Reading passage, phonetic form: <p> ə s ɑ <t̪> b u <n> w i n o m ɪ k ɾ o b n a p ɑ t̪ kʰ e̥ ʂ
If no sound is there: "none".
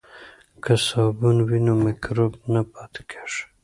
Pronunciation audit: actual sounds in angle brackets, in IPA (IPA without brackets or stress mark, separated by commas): k, none, n